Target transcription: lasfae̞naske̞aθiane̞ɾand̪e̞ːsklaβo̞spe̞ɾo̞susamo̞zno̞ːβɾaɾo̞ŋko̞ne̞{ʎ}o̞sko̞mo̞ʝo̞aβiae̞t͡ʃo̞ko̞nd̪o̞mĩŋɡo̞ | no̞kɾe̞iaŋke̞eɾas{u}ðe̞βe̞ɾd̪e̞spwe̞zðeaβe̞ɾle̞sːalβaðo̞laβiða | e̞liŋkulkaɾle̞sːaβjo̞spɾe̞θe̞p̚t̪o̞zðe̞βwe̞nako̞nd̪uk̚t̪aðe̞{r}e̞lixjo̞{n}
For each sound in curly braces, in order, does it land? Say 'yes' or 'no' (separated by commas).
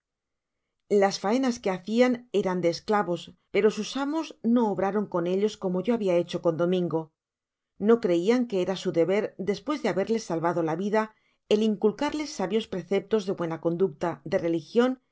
yes, yes, yes, yes